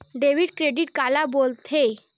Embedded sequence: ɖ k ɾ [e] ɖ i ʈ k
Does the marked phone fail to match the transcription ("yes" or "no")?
no